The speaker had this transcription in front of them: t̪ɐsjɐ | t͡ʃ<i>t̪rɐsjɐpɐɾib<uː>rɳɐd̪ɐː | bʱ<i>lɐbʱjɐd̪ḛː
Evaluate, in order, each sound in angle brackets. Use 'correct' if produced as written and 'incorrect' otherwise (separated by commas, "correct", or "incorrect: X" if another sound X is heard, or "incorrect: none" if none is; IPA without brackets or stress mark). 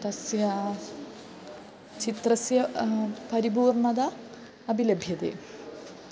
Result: correct, correct, correct